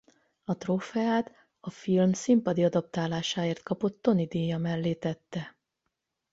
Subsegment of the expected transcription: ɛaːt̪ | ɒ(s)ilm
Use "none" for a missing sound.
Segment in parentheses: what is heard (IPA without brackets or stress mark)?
f